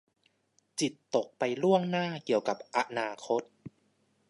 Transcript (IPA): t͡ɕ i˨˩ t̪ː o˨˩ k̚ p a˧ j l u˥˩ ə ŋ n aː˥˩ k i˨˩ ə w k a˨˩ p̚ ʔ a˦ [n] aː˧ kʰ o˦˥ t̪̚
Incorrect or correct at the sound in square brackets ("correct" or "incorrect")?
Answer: correct